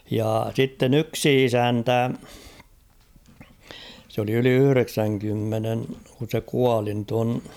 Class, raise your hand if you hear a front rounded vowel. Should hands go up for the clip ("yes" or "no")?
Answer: yes